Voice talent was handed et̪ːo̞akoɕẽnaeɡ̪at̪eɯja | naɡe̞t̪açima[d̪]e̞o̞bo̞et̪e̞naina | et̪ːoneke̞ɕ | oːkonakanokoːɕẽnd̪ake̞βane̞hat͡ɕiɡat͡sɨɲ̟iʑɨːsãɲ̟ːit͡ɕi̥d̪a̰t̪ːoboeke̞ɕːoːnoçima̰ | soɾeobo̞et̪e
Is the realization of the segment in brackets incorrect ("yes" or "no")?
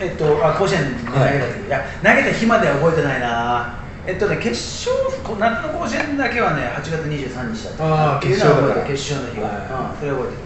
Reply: no